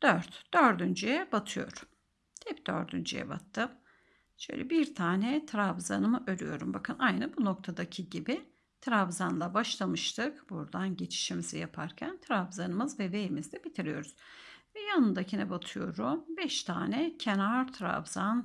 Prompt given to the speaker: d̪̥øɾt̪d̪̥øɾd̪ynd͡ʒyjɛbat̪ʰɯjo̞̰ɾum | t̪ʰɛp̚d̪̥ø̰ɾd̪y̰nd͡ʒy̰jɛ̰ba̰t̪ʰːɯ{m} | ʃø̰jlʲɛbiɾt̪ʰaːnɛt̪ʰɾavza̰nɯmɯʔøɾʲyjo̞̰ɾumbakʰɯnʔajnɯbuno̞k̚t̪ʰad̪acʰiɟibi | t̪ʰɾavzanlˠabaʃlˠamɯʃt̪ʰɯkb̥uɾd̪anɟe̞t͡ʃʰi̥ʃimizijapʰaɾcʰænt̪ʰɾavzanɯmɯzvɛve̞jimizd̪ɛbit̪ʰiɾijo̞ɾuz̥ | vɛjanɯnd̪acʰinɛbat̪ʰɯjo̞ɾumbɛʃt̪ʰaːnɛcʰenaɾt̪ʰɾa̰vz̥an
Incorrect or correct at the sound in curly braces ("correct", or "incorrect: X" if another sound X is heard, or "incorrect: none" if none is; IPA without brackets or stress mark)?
correct